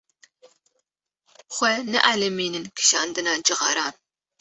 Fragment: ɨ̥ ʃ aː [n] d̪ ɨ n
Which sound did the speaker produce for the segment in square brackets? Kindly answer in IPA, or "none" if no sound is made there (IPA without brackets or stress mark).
n